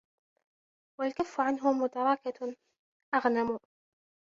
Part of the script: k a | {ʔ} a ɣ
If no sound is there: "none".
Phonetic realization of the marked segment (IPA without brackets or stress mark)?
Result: ʔ